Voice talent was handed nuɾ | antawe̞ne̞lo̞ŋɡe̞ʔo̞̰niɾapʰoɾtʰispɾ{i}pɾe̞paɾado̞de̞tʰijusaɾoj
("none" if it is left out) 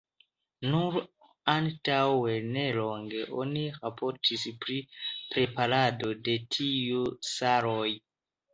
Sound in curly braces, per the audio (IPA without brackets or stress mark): i